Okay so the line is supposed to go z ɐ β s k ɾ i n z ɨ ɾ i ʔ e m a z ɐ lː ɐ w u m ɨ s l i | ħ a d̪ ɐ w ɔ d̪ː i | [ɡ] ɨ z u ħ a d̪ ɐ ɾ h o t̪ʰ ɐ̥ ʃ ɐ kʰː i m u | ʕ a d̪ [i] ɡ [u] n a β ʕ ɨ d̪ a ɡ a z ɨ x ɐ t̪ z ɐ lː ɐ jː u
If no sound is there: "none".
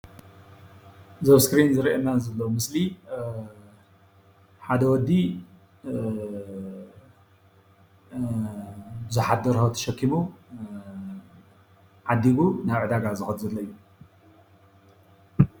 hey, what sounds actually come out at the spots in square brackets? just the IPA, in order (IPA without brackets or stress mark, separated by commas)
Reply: b, i, u